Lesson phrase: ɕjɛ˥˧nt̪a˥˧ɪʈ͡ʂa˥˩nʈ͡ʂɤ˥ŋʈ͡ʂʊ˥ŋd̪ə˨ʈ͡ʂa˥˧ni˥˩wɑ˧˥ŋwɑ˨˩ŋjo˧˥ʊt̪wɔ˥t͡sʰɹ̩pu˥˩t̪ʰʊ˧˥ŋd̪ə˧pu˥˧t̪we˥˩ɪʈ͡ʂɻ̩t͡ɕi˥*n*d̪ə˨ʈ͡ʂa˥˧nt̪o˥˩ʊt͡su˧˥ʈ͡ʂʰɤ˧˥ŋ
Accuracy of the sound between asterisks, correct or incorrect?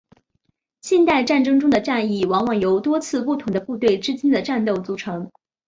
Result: correct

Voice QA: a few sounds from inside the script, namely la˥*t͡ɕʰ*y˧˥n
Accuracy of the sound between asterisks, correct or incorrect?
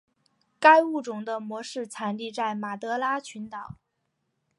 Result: correct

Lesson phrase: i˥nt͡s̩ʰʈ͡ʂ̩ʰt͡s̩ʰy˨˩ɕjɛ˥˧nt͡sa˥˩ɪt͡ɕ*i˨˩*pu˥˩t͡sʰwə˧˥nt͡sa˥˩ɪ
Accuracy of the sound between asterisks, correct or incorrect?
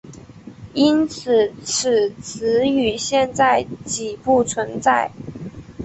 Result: correct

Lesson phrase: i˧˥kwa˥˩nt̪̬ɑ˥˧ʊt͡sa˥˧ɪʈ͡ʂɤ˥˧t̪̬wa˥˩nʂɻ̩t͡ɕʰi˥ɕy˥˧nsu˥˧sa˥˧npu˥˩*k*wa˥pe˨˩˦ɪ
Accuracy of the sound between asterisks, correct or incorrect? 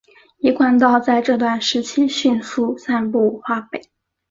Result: incorrect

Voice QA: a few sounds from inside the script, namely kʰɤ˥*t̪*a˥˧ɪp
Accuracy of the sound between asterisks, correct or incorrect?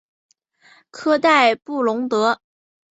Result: correct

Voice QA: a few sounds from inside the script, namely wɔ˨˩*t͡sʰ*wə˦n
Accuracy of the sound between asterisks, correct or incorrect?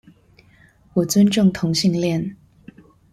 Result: incorrect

